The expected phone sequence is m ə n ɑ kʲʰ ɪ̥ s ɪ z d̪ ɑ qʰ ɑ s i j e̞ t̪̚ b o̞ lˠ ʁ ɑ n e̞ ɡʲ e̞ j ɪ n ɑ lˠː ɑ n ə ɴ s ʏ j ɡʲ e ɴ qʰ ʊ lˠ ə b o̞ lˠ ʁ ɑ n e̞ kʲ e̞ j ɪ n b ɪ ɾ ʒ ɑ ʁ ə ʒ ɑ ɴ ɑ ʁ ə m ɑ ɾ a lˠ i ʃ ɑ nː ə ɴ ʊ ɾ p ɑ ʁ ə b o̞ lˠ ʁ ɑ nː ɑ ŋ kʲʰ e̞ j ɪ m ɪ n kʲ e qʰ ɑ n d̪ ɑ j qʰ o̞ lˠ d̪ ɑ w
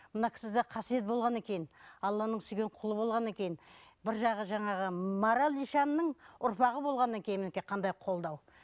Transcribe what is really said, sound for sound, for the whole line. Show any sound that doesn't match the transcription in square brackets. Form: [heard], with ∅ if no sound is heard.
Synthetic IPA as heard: m ə n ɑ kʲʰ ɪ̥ s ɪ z d̪ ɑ qʰ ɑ s i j e̞ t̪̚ b o̞ lˠ ʁ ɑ n e̞ [kʲ] e̞ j ɪ n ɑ lˠː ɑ n ə ɴ s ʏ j ɡʲ e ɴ qʰ ʊ lˠ ə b o̞ lˠ ʁ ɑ n e̞ kʲ e̞ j ɪ n b ɪ ɾ ʒ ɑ ʁ ə ʒ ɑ ɴ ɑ ʁ ə m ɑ ɾ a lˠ i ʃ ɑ nː ə ɴ ʊ ɾ p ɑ ʁ ə b o̞ lˠ ʁ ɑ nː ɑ ŋ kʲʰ e̞ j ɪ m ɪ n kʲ e qʰ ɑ n d̪ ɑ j qʰ o̞ lˠ d̪ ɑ w